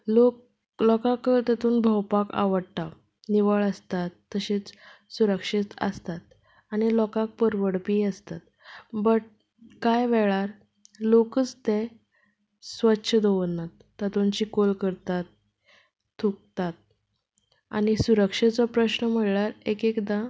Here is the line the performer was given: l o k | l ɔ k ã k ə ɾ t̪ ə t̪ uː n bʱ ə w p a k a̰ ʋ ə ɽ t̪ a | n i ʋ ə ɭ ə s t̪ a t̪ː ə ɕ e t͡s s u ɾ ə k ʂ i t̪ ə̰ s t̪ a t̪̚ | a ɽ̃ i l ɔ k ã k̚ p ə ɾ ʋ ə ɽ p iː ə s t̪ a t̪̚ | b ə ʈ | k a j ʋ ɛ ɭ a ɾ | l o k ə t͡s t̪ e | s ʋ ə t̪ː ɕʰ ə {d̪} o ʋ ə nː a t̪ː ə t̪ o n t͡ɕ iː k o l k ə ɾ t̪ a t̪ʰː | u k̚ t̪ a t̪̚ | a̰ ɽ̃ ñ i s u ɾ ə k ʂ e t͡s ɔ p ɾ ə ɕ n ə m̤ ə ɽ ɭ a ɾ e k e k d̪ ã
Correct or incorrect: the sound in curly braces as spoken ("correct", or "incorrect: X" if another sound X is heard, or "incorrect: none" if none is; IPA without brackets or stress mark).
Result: correct